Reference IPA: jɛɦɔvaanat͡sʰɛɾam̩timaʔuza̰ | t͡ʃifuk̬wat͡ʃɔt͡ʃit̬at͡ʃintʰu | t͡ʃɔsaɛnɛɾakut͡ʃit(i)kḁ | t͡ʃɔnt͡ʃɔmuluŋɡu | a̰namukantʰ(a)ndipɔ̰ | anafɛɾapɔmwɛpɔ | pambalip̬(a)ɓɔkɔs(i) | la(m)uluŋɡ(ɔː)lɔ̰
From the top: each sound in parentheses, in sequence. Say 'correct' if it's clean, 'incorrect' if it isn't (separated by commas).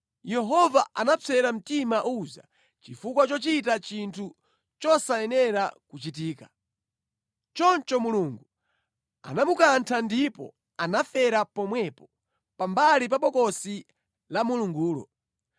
incorrect, correct, correct, correct, correct, incorrect